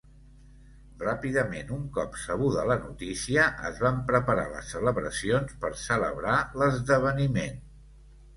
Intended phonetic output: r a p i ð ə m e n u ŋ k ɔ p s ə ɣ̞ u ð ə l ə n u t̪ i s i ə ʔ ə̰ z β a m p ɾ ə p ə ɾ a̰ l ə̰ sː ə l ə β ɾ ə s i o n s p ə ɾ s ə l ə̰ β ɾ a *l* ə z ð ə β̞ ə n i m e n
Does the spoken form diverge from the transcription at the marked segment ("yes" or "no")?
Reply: no